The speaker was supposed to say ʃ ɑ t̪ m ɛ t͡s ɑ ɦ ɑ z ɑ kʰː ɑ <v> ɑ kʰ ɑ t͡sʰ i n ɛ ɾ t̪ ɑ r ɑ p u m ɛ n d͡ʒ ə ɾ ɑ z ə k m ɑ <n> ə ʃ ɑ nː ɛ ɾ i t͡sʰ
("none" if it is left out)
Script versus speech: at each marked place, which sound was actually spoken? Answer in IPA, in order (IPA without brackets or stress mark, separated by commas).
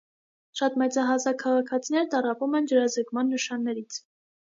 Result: ʁ, nː